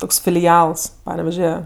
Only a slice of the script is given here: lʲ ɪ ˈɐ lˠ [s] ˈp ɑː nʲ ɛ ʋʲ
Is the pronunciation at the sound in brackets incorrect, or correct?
correct